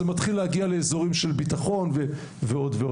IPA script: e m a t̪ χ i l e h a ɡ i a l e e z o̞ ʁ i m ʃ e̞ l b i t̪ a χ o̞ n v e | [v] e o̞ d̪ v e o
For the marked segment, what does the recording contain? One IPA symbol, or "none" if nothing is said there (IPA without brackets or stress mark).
v